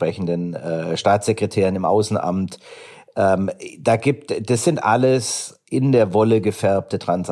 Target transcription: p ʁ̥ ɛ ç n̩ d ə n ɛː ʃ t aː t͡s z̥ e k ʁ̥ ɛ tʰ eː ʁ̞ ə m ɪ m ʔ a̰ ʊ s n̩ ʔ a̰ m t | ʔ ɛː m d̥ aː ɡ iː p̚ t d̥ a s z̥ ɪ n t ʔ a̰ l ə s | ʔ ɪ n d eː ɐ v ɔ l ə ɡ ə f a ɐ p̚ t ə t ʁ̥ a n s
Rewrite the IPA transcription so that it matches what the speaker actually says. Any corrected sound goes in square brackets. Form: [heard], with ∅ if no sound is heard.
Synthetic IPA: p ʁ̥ ɛ ç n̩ d ə n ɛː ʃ t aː t͡s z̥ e k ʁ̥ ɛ tʰ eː ʁ̞ ə [n] ɪ m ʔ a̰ ʊ s n̩ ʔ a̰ m t | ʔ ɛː m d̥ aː ɡ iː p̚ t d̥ a s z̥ ɪ n t ʔ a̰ l ə s | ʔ ɪ n d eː ɐ v ɔ l ə ɡ ə f [ɛ] ɐ p̚ t ə t ʁ̥ a n s